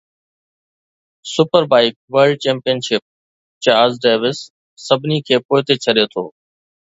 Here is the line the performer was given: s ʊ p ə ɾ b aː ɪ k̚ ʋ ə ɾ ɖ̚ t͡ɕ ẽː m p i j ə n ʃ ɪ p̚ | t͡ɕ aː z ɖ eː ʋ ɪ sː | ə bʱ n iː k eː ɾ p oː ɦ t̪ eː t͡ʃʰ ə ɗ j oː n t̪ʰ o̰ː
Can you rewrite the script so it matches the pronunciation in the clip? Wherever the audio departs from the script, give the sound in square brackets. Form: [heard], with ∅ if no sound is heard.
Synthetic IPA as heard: s ʊ p ə ɾ b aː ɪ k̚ ʋ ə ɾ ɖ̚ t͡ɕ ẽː m p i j ə n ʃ ɪ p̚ | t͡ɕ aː z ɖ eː ʋ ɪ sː | ə bʱ n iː [kʰ] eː [∅] p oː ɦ t̪ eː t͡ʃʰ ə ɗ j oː [∅] t̪ʰ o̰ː